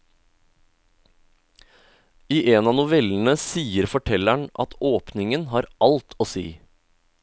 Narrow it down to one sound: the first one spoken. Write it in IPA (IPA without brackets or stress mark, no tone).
iː